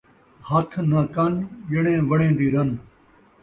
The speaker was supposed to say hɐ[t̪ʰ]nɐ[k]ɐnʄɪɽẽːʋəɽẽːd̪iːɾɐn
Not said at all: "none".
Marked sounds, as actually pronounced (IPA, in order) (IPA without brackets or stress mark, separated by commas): t̪ʰ, k